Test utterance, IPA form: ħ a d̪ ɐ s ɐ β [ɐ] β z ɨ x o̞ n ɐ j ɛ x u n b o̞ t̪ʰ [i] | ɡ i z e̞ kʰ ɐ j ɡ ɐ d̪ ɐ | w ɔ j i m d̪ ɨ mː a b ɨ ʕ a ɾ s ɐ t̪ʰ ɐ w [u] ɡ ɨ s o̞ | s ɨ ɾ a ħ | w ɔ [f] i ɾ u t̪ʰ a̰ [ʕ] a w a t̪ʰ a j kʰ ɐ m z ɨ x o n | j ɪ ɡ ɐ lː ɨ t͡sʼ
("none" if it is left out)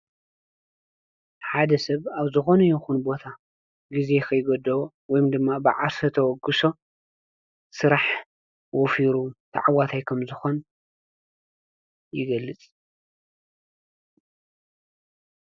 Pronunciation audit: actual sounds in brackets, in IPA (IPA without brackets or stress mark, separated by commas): a, a, ɔ, f, ʕ